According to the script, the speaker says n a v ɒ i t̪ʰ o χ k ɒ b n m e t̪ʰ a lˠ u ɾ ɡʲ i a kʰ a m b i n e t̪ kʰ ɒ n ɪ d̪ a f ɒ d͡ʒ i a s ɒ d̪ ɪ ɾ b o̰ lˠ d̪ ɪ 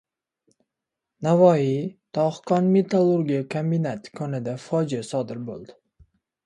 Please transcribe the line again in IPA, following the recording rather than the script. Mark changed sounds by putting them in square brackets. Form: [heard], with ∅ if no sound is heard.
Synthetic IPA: n a v ɒ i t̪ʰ [ɒ] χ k ɒ [∅] n m e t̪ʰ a lˠ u ɾ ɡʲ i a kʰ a m b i n [a] t̪ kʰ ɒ n ɪ d̪ a f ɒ d͡ʒ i a s ɒ d̪ ɪ ɾ b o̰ lˠ d̪ ɪ